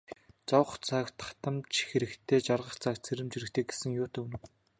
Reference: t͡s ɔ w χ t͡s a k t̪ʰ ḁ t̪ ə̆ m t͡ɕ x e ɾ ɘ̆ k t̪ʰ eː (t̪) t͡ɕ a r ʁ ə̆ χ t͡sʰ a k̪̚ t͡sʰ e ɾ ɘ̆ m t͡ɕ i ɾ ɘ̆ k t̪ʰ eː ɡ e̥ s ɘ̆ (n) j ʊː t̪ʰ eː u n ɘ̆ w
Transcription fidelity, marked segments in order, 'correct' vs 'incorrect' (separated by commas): incorrect, incorrect